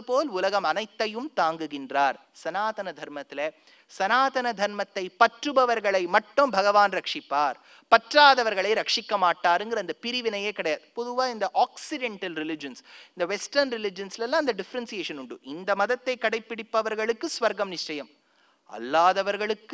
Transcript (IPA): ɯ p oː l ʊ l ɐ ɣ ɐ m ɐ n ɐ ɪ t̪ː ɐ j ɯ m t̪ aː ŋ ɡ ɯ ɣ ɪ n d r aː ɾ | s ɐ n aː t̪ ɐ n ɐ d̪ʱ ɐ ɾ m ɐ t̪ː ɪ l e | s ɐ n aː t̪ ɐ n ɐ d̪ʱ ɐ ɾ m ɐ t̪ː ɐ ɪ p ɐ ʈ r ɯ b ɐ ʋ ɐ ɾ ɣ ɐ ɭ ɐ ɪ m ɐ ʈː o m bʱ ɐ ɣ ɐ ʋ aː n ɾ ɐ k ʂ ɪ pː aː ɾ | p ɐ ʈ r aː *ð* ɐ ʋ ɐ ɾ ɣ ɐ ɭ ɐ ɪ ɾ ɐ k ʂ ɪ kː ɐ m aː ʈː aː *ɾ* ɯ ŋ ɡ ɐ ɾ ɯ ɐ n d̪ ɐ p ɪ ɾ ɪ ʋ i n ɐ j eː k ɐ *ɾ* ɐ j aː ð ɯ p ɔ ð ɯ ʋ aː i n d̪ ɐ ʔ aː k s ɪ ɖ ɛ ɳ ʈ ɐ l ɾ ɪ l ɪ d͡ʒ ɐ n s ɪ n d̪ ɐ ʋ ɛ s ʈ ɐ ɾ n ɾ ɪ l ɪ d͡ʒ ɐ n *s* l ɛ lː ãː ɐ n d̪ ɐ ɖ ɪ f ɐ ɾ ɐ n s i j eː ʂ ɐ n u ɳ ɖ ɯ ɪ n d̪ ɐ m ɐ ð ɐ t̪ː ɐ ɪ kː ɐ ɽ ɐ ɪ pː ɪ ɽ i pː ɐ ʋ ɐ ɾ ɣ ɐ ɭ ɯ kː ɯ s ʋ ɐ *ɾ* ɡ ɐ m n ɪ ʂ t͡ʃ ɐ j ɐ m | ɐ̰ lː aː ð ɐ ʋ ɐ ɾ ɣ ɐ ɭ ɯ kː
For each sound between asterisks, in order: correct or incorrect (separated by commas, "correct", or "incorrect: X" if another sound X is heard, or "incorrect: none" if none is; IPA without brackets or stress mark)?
correct, correct, incorrect: ɽ, correct, correct